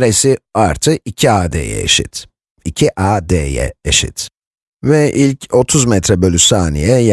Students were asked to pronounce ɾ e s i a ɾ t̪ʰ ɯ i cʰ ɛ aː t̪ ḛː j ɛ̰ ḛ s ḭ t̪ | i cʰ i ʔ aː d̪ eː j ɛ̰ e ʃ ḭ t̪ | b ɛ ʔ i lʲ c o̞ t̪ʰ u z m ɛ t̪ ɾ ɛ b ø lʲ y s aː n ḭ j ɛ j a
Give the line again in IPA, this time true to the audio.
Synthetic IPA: ɾ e s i a ɾ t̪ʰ ɯ i cʰ i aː d̪ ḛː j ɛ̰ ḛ ʃ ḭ t̪ | i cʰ i ʔ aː d̪ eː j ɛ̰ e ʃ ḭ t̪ | v ɛ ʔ i lʲ c o̞ t̪ʰ u z m ɛ t̪ ɾ ɛ b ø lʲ y s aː n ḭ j ɛ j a